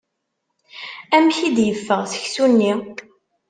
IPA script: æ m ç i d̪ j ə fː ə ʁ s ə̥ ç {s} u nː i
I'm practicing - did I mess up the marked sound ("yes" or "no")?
no